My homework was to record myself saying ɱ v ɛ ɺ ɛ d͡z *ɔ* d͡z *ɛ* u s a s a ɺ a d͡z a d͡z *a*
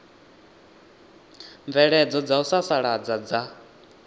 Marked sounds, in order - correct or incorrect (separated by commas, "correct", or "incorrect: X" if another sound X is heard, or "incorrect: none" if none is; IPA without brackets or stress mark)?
correct, incorrect: a, correct